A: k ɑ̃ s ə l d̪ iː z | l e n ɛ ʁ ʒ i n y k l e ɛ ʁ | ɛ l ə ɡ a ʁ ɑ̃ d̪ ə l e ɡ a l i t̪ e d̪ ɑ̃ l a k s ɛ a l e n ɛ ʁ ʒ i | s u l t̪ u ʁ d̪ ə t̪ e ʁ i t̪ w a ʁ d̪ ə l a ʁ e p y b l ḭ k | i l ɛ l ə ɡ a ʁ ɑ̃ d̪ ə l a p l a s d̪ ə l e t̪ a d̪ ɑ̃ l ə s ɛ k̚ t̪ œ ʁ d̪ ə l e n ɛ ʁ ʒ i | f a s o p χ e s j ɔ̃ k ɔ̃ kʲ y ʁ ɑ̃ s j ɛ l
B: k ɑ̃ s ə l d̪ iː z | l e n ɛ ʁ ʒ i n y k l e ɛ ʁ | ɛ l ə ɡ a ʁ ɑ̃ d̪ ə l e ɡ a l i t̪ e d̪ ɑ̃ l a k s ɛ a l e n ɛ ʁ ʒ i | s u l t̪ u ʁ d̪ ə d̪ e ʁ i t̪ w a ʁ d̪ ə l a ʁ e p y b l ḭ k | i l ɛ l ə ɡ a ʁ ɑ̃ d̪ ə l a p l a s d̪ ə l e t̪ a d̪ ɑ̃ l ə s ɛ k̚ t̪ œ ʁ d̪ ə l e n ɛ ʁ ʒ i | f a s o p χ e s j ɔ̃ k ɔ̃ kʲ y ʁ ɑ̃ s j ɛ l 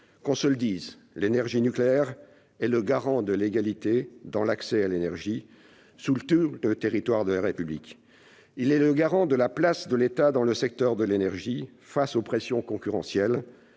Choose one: A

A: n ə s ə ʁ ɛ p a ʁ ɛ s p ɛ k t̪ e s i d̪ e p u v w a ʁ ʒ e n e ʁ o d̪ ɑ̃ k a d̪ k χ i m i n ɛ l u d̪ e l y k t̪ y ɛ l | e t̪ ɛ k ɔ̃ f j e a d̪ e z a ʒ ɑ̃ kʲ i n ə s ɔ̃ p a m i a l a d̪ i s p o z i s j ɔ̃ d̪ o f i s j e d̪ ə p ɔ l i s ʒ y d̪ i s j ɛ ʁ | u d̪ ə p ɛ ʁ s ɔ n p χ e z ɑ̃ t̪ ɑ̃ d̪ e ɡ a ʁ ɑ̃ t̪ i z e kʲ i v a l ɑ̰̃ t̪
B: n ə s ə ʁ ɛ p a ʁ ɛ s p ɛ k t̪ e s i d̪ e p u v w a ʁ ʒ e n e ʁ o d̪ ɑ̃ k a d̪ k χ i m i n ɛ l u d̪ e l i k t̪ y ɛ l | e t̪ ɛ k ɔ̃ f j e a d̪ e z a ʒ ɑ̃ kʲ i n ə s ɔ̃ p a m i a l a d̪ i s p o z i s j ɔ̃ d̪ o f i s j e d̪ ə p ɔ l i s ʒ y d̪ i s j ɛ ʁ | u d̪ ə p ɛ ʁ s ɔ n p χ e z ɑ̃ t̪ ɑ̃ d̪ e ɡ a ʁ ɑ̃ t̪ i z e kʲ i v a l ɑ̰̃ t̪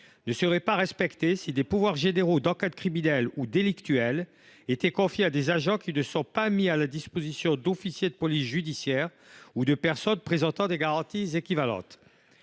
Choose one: B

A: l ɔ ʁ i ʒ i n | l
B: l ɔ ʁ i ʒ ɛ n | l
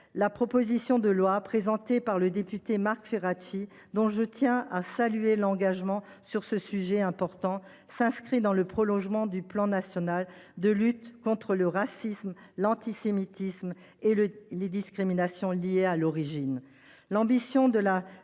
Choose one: A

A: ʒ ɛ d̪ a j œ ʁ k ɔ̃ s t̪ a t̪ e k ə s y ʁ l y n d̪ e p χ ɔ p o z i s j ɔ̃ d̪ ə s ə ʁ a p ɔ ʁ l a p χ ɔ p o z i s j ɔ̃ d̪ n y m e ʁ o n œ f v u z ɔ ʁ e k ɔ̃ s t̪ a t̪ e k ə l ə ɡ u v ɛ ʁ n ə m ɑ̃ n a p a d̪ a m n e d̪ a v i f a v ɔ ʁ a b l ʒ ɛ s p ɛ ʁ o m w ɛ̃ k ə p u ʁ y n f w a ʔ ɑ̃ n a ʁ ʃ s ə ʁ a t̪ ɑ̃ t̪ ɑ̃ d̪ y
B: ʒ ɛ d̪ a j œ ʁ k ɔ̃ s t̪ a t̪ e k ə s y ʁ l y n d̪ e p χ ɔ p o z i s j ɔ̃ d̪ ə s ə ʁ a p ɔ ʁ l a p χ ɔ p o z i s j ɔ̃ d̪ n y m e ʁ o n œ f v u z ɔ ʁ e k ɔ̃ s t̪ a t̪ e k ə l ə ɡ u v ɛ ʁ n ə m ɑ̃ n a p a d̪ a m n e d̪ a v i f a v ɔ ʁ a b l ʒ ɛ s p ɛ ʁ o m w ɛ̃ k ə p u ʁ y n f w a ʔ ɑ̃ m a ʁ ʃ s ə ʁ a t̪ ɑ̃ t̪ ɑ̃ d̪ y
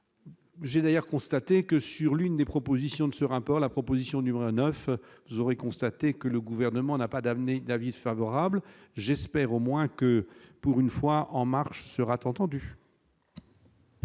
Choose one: B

